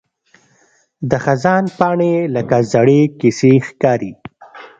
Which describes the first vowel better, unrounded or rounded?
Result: unrounded